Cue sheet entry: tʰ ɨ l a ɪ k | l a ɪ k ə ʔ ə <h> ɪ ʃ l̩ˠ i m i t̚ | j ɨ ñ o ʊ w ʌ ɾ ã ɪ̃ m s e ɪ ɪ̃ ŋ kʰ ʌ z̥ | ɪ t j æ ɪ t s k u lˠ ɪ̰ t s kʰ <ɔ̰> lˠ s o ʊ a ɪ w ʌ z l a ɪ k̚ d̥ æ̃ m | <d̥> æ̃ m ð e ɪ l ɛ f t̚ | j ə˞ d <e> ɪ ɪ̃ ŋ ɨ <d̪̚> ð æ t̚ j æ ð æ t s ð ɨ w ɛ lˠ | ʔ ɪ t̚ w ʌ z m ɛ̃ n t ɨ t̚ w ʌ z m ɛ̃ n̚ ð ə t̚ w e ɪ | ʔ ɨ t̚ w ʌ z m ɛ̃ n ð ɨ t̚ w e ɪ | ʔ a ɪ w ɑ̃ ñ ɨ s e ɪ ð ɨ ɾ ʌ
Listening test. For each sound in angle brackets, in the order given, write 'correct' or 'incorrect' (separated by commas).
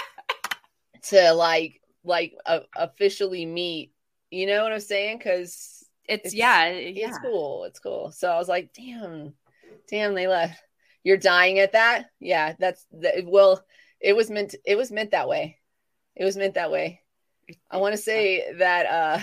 incorrect, incorrect, correct, incorrect, incorrect